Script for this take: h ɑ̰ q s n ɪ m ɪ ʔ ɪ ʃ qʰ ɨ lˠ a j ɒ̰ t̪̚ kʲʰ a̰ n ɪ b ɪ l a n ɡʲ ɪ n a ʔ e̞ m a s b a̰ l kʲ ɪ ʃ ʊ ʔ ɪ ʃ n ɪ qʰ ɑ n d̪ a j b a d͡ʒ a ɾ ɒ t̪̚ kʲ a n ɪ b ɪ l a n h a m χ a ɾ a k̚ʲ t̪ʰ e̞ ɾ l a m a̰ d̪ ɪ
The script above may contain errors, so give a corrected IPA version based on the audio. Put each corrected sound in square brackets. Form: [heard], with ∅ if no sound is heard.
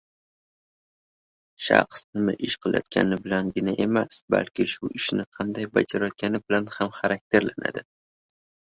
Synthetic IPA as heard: [ʃ] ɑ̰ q s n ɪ m ɪ ʔ ɪ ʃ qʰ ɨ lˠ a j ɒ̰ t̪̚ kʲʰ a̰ n ɪ b ɪ l a n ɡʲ ɪ n a ʔ e̞ m a s b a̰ l kʲ ɪ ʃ ʊ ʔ ɪ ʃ n ɪ qʰ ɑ n d̪ a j b a d͡ʒ a ɾ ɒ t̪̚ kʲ a n ɪ b ɪ l a n h a m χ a ɾ a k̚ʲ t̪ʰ e̞ ɾ l a [n] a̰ d̪ ɪ